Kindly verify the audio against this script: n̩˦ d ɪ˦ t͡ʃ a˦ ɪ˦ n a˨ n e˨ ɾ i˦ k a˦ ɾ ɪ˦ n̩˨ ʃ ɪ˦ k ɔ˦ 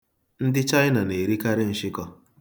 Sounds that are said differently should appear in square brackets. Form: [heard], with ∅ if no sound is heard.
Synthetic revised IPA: n̩˦ d ɪ˦ t͡ʃ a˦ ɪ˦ n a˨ n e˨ ɾ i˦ k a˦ ɾ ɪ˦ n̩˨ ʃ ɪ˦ k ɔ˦